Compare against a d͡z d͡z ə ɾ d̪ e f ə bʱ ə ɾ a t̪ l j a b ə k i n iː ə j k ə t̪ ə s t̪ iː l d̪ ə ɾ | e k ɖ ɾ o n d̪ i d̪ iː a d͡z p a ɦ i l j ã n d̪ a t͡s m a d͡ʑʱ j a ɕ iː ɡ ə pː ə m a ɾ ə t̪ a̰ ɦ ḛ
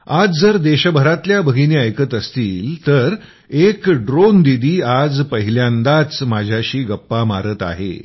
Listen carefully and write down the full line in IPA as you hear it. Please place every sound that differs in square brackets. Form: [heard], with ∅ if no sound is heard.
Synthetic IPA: a d͡z d͡z ə ɾ d̪ e [ɕ] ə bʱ ə ɾ a t̪ l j a b ə [ɡ] i n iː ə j k ə t̪ ə s t̪ iː l [t̪] ə ɾ | e k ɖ ɾ o n d̪ i d̪ iː a d͡z p [ə] ɦ i l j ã n d̪ a t͡s m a d͡ʑʱ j a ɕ iː ɡ ə pː [a] m a ɾ ə t̪ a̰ ɦ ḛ